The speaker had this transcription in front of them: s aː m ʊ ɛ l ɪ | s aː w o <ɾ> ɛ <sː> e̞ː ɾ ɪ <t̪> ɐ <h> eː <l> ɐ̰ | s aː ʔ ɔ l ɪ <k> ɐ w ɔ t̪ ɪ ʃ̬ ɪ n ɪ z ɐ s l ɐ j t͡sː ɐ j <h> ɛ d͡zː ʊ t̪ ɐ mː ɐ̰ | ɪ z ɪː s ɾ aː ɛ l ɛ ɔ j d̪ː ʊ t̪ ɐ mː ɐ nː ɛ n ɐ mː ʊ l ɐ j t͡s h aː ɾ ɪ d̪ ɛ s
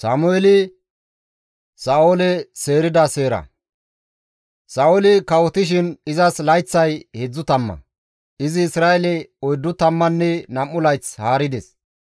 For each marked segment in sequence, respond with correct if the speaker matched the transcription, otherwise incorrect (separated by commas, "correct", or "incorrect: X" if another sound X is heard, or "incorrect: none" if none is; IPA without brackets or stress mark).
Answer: incorrect: l, incorrect: s, incorrect: d̪, incorrect: s, incorrect: ɾ, correct, correct